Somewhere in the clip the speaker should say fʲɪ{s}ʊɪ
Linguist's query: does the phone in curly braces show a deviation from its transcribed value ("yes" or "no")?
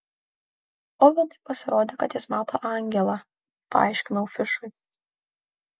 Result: yes